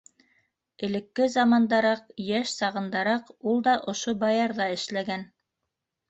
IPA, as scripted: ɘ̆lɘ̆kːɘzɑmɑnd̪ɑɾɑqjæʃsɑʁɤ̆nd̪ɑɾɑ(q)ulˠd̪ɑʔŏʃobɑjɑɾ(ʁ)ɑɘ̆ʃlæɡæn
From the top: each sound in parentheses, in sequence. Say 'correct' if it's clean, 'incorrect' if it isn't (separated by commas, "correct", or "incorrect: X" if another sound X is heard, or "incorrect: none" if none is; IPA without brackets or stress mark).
correct, incorrect: ð